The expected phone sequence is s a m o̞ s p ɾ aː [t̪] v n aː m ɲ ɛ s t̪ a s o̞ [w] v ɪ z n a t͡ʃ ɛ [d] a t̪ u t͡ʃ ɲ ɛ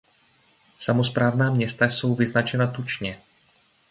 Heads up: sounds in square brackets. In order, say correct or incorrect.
incorrect, correct, incorrect

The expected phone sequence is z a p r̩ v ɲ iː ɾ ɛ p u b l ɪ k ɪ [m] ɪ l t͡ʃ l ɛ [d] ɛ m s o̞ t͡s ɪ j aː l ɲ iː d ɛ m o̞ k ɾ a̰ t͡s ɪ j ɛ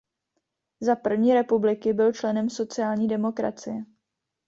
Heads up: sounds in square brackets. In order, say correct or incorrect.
incorrect, incorrect

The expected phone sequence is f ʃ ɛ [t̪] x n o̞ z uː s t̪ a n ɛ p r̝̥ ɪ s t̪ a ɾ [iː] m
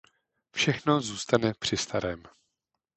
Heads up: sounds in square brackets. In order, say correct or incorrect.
incorrect, incorrect

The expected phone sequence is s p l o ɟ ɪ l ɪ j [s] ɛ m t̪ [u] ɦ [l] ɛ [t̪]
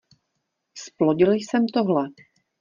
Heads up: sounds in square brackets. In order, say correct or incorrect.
correct, incorrect, correct, incorrect

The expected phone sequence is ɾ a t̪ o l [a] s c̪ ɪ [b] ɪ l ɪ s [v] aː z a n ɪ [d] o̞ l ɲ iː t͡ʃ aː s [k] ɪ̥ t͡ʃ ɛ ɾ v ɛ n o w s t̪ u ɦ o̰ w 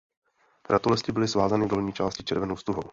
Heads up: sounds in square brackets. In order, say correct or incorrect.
incorrect, correct, correct, correct, incorrect

